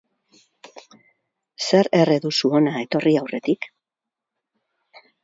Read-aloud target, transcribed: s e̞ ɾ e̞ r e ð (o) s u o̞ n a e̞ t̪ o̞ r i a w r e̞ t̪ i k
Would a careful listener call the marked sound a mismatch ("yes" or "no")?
yes